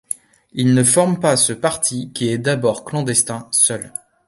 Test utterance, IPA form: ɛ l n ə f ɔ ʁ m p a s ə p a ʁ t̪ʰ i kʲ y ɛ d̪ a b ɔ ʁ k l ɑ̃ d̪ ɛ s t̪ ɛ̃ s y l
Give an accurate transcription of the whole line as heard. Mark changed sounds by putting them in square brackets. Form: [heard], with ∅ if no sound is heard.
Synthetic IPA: [i] l n ə f ɔ ʁ m p a s ə p a ʁ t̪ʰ i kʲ [i] ɛ d̪ a b ɔ ʁ k l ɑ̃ d̪ ɛ s t̪ ɛ̃ s [œ] l